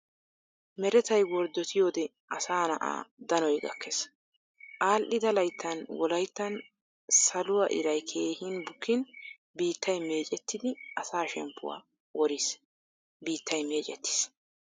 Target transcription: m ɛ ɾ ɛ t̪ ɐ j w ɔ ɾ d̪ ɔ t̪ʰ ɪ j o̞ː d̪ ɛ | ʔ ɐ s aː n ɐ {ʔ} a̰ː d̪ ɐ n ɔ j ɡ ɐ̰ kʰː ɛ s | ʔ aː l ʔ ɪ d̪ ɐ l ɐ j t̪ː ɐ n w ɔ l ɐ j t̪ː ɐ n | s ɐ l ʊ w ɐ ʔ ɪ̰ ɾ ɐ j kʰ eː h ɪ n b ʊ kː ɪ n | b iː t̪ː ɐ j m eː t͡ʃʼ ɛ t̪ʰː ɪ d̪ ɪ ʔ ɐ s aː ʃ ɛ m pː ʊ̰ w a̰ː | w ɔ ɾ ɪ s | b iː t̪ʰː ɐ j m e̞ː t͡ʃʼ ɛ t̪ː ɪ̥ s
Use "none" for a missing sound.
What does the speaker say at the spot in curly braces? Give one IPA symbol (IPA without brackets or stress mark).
ʔ